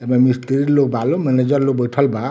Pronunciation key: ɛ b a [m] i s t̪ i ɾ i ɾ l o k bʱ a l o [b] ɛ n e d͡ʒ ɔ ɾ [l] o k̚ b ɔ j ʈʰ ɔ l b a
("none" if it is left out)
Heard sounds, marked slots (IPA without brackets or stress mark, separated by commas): m, m, l